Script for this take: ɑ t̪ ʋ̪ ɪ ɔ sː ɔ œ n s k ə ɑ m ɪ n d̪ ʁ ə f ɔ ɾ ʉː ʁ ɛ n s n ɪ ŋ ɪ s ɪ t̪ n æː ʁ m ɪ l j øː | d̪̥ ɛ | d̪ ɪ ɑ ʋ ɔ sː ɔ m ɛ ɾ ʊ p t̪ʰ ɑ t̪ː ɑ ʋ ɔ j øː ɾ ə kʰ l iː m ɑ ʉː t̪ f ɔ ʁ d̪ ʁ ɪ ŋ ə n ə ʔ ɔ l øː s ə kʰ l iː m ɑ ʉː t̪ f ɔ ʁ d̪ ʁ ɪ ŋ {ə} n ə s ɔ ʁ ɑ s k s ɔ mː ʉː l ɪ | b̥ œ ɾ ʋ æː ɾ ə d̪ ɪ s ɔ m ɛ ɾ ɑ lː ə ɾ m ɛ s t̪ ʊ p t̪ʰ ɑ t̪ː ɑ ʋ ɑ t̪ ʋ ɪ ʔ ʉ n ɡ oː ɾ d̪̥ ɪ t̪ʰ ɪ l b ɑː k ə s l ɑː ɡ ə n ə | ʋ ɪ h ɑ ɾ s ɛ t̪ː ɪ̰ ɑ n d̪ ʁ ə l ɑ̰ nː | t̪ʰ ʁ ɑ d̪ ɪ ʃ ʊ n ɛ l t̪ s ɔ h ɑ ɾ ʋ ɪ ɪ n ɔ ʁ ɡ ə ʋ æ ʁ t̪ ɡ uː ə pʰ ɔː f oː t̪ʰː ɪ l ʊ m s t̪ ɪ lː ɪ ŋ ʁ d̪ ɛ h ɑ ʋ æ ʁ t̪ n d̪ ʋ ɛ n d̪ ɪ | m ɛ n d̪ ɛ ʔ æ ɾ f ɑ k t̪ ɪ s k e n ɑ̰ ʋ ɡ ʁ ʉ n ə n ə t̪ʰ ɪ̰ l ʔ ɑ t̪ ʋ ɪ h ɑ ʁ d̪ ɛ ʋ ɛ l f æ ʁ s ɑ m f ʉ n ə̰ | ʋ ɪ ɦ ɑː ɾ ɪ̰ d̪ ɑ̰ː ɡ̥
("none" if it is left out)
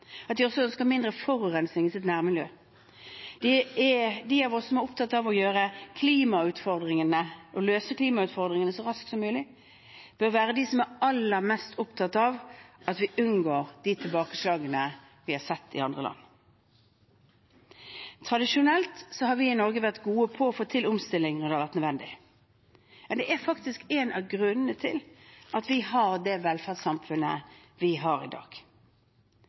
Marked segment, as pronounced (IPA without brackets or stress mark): ə